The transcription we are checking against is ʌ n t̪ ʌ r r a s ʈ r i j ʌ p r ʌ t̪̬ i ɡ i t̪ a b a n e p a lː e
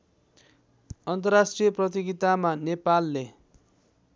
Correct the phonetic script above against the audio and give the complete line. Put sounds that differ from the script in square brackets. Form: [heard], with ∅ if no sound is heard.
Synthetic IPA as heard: ʌ n t̪ ʌ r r a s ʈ r i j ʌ p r ʌ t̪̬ i ɡ i t̪ a [m] a n e p a lː e